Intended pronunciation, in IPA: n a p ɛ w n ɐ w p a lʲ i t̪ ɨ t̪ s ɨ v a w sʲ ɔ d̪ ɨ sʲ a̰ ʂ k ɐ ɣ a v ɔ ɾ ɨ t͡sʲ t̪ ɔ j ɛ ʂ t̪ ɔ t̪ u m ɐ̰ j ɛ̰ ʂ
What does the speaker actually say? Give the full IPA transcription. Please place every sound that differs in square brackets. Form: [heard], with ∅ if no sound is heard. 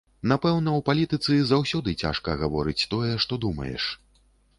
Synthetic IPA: n a p ɛ w n ɐ w p a lʲ i t̪ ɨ t̪ s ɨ [z] a w sʲ ɔ d̪ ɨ [t͡sʲ] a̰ ʂ k ɐ ɣ a v ɔ ɾ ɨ t͡sʲ t̪ ɔ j ɛ ʂ t̪ ɔ [d̪] u m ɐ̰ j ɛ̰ ʂ